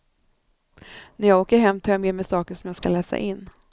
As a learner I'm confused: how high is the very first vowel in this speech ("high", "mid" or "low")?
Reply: low